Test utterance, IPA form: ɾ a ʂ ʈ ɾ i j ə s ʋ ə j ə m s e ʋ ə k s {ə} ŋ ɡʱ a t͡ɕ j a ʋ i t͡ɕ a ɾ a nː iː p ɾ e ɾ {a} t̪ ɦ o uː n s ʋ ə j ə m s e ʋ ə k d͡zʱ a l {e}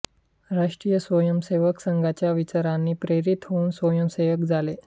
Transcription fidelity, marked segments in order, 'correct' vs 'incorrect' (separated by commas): correct, incorrect, correct